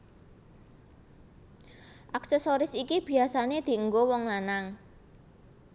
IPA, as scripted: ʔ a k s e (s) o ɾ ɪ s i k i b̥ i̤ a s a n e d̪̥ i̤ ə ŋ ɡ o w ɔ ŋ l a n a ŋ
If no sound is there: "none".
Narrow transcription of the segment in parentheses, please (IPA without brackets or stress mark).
s